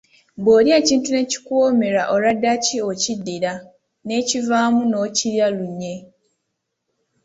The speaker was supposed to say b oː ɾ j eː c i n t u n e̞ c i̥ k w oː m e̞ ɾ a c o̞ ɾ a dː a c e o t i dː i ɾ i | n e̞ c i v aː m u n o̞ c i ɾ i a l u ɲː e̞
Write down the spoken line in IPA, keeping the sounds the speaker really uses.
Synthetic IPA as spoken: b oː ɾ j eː c iː n t u n e̞ c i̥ k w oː m e̞ ɾ a ʔ o̞ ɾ a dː a c i o c i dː i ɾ a | n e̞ c i v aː m u n o̞ c i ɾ j a l u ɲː e̞